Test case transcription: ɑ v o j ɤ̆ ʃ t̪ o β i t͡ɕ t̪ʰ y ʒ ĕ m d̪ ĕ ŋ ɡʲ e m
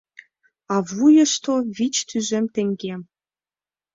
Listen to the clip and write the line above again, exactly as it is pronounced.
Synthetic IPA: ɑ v u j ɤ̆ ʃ t̪ o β i t͡ɕ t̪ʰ y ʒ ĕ m t̪ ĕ ŋ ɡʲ e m